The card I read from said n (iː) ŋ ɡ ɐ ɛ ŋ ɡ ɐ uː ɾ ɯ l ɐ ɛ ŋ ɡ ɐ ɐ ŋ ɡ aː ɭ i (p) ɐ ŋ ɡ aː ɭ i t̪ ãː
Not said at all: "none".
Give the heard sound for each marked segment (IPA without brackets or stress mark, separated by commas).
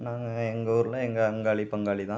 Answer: aː, p